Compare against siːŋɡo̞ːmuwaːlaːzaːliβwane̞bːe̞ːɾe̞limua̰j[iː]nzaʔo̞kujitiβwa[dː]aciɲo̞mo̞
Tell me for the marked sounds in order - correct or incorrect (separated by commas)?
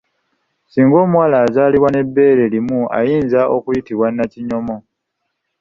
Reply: correct, incorrect